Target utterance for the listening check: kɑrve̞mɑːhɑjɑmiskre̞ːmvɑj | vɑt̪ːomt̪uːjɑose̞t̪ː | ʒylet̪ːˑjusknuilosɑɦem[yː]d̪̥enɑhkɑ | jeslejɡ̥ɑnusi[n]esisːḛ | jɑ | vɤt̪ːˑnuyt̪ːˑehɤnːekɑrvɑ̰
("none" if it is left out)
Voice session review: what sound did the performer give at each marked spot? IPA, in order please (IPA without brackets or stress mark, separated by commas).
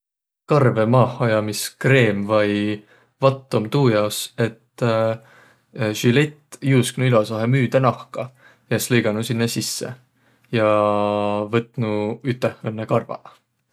yː, nː